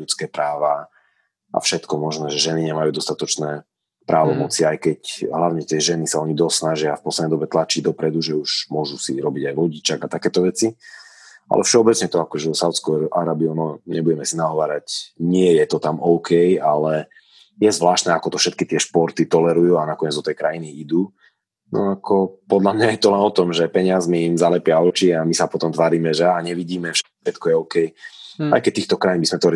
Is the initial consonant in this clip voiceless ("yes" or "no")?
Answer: yes